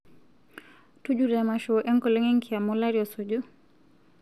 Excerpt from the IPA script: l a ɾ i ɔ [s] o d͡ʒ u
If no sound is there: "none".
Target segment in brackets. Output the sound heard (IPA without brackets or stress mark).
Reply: s